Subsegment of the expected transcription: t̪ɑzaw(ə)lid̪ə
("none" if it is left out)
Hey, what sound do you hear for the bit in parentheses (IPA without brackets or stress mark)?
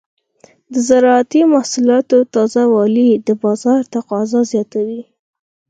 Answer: ɑ